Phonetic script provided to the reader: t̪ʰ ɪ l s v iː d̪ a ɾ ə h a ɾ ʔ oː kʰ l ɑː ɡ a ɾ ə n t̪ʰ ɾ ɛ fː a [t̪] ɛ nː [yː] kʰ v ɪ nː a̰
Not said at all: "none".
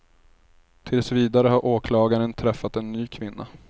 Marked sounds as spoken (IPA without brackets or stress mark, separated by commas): t̪, yː